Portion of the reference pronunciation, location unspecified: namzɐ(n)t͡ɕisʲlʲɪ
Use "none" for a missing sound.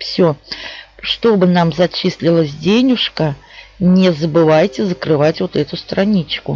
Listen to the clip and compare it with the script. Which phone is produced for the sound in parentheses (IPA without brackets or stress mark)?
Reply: none